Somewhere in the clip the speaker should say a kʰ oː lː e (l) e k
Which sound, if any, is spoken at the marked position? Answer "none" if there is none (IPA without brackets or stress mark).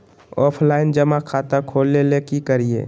l